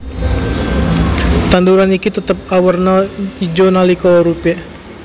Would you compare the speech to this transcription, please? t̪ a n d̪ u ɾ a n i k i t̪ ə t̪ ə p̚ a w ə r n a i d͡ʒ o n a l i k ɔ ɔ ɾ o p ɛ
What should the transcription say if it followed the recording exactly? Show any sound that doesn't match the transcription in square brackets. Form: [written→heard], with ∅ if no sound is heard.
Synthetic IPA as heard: t̪ a n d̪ u ɾ a n i k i t̪ ə t̪ ə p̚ a w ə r n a i d͡ʒ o n a l i k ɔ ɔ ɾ [o→u] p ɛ